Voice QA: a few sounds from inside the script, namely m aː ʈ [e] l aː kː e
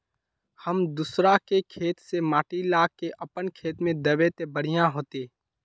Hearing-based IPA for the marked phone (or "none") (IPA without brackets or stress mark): i